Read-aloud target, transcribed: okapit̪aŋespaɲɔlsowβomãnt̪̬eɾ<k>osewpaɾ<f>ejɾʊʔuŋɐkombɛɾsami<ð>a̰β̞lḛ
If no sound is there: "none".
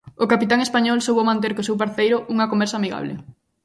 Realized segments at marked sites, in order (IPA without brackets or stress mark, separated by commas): k, θ, ɣ